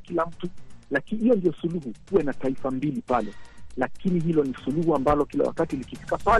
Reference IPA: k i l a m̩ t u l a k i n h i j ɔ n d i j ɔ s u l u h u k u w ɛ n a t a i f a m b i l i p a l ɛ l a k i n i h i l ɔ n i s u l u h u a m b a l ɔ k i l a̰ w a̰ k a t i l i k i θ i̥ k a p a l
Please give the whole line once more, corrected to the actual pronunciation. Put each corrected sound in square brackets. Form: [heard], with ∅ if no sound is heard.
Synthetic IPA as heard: k i l a m̩ t u l a k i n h i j ɔ n d i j ɔ s u l u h u k u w ɛ n a t a i f a m b i l i p a l ɛ l a k i n i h i l ɔ n i s u l u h u a m b a l ɔ k i l a̰ w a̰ k a t i l i k i [f] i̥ k a p a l